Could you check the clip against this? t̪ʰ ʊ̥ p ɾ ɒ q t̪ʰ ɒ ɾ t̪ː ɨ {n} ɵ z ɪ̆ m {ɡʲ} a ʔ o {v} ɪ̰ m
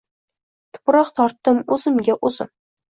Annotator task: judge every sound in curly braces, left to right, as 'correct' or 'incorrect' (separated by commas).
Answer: incorrect, correct, incorrect